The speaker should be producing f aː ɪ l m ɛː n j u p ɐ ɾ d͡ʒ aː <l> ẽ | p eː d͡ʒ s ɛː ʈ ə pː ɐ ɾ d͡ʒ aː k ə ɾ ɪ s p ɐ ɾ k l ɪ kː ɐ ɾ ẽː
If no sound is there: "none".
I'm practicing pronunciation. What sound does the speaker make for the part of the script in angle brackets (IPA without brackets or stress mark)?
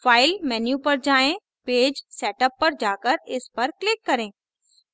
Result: none